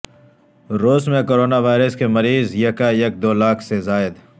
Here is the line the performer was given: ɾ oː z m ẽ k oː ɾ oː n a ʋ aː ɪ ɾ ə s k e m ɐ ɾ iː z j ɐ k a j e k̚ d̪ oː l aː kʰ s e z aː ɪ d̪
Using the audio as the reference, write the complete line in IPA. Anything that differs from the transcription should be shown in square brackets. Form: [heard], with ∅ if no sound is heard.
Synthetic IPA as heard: ɾ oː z m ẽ k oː ɾ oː n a ʋ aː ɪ ɾ ə s k e m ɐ ɾ iː z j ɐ k a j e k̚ d̪ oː l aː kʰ s e z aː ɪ d̪